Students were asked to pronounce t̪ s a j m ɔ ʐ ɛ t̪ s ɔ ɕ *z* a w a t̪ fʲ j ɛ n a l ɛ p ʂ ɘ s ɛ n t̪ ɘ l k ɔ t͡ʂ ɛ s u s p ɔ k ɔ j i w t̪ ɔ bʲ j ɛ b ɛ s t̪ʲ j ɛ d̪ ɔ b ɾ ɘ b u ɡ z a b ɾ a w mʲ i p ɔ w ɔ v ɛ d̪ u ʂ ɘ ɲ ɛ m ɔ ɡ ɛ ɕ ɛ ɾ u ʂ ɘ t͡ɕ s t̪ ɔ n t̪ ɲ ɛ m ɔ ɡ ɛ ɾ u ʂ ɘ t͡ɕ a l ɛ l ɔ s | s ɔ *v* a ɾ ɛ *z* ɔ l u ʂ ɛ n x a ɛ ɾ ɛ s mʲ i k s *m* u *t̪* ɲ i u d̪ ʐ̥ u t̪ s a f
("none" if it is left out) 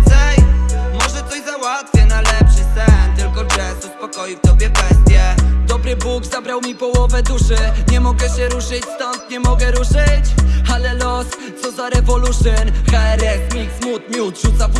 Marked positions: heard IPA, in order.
z, z, v, m, t̪

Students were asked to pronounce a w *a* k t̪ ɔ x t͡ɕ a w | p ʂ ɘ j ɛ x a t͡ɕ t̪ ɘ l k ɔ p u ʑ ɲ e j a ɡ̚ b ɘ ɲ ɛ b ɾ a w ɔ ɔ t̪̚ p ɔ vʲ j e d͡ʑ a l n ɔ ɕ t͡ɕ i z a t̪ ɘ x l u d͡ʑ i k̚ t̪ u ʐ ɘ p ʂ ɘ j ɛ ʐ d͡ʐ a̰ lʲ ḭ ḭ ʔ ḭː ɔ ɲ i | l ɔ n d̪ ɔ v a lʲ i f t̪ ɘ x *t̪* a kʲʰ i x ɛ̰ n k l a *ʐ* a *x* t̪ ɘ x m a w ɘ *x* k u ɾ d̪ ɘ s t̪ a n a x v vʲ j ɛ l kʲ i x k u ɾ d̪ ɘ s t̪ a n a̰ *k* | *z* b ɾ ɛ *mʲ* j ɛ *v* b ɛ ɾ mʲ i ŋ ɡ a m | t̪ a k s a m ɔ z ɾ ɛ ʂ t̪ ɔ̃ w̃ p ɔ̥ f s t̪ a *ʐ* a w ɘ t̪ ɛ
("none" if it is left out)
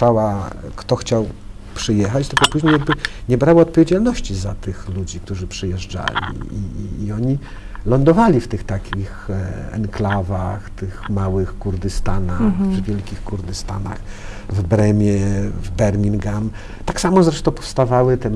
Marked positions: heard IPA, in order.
a, t̪, v, x, x, x, v, mʲ, v, v

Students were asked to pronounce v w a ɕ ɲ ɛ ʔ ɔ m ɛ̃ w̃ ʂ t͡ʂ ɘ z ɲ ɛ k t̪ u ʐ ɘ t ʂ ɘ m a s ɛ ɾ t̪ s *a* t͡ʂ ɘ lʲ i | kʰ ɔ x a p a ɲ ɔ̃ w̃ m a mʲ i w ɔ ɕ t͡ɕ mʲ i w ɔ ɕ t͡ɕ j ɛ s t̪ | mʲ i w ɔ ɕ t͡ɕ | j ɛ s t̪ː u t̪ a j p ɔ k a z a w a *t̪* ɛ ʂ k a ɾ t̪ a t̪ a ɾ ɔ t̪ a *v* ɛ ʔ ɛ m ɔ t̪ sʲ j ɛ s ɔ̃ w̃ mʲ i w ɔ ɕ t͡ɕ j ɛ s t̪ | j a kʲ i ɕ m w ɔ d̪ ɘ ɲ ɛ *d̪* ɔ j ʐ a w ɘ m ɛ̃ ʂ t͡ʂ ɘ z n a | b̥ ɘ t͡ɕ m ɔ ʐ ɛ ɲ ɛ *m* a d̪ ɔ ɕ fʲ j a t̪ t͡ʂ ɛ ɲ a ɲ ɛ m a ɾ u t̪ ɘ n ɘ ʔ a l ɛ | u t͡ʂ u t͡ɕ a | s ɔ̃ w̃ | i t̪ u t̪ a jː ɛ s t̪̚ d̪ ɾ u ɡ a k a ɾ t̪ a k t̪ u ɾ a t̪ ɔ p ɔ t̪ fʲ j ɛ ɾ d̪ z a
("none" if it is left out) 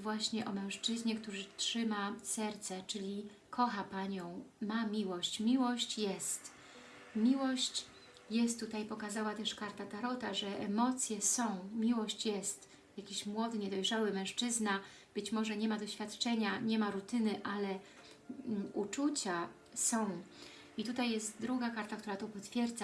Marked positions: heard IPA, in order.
ɛ, t̪, ʐ, d̪, m

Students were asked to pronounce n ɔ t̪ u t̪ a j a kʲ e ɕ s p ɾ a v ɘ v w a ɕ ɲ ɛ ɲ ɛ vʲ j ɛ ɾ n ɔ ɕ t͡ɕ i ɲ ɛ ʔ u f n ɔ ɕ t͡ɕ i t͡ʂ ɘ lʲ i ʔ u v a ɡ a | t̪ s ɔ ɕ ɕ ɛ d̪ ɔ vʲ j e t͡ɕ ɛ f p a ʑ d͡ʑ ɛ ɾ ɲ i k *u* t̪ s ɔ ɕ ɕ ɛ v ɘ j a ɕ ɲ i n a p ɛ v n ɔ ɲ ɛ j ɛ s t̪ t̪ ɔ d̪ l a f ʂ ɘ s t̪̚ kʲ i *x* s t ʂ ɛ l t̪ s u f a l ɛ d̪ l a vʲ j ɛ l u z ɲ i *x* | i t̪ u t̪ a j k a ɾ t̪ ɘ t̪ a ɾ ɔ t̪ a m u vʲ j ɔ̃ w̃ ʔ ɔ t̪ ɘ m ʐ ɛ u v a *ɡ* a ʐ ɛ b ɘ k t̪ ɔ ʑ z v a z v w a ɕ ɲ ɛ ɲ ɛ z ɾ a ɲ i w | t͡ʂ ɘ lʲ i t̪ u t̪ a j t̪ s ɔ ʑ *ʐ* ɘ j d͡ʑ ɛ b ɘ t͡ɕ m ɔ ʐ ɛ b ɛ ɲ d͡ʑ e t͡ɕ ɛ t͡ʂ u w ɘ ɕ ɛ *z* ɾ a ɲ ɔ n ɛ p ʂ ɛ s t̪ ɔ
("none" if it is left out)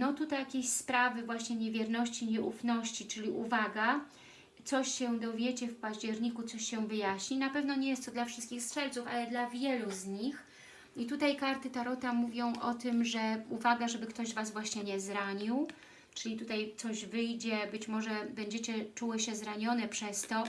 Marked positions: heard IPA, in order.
u, x, x, ɡ, v, z

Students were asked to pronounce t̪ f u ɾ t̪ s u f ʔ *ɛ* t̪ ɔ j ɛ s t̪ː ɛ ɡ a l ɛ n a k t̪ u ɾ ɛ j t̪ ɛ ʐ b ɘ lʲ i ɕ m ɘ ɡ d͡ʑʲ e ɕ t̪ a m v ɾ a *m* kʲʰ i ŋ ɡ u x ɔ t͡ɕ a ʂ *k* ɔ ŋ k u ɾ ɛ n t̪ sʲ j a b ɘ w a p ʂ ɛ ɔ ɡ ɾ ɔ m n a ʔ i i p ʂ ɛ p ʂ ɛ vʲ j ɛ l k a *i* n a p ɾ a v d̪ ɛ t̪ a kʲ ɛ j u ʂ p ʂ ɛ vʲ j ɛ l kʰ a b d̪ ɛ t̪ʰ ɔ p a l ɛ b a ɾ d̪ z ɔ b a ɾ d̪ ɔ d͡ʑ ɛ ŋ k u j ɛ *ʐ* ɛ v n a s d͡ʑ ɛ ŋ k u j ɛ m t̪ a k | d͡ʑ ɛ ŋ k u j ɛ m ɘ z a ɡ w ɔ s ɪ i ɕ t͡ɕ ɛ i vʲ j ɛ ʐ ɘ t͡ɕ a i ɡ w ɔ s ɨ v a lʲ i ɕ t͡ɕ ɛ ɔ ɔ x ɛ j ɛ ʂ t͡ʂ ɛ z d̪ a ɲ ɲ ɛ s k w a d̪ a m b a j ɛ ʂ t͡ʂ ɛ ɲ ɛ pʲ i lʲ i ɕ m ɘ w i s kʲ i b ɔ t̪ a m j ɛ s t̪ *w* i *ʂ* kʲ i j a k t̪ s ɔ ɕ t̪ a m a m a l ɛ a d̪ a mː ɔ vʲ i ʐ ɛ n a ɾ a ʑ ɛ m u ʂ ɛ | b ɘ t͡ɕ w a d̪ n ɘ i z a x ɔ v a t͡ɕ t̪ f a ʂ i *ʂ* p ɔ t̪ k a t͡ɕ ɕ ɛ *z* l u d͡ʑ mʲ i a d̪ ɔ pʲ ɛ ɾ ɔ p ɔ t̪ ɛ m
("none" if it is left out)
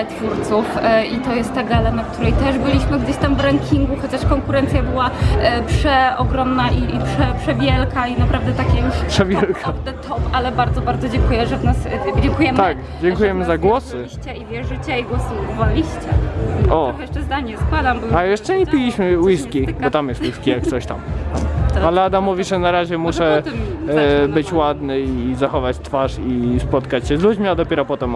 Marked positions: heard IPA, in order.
i, ŋ, k, i, ʐ, w, s, s, z

